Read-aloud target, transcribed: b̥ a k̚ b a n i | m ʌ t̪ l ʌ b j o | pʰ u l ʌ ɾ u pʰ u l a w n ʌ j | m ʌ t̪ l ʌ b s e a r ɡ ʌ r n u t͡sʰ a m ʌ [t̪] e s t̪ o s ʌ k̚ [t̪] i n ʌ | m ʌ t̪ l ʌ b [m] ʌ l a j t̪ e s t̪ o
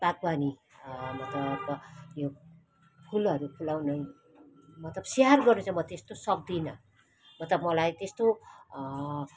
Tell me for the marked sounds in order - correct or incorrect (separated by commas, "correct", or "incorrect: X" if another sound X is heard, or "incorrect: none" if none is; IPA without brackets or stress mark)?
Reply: correct, incorrect: d̪, correct